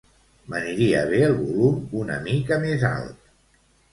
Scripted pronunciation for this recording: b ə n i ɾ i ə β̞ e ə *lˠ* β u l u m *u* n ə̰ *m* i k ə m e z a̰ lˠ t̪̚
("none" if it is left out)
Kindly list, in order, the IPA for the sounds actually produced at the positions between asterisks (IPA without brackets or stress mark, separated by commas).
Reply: lˠ, u, m